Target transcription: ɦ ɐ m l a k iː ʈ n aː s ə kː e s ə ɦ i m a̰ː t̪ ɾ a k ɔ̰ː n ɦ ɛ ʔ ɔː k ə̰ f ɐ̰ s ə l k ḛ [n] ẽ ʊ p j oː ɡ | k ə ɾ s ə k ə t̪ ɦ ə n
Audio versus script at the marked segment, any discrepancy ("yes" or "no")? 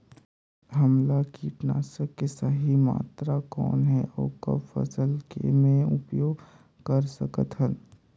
yes